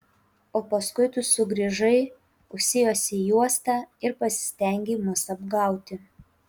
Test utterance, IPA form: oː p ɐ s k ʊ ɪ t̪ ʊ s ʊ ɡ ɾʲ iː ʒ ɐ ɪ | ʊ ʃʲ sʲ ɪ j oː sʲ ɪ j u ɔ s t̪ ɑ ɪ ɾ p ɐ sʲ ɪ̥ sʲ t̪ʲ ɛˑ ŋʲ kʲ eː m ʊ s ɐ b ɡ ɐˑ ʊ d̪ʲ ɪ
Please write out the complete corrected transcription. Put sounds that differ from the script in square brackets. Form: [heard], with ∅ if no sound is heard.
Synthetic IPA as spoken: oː p ɐ s k ʊ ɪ t̪ ʊ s ʊ ɡ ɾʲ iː ʒ ɐ ɪ | ʊ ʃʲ sʲ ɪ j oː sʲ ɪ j u ɔ s t̪ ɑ ɪ ɾ p ɐ sʲ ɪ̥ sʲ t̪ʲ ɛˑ ŋʲ [ɡʲ] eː m ʊ s ɐ b ɡ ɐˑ ʊ [t̪ʲ] ɪ